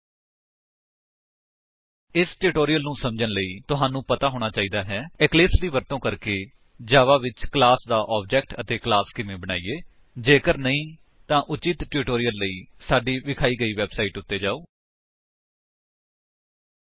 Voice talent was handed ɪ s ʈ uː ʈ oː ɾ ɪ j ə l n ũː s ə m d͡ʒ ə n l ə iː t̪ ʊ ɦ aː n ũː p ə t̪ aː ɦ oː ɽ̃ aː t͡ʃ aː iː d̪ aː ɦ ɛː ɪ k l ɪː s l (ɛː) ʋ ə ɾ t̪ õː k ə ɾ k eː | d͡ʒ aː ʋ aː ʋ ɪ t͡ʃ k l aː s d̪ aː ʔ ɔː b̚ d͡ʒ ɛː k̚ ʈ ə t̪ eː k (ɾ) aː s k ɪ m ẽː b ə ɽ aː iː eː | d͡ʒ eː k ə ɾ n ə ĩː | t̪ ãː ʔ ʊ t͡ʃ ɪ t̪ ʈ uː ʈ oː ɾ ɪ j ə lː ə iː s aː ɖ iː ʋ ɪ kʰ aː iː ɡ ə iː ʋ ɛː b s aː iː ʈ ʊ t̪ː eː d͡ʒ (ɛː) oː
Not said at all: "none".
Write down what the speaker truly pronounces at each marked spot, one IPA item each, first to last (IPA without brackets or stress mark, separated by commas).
iː, l, aː